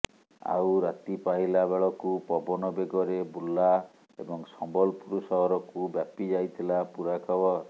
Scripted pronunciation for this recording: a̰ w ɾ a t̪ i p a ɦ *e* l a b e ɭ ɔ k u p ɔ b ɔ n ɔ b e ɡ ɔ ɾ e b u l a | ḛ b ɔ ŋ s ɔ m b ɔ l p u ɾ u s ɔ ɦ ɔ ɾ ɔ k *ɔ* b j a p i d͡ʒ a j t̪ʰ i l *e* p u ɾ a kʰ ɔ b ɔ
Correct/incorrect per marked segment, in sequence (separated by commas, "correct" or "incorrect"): incorrect, incorrect, incorrect